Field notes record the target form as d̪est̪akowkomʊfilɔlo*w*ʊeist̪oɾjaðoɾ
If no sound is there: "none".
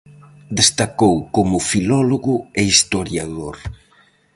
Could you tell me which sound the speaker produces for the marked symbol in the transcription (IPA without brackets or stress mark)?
ɣ